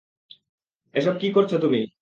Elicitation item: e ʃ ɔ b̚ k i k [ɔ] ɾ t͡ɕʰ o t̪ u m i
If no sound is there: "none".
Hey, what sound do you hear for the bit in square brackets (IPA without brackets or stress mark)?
o